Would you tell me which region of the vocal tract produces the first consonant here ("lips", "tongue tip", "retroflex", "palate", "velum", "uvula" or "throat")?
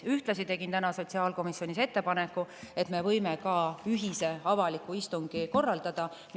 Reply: throat